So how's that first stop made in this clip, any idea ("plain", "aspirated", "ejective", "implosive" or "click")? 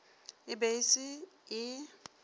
plain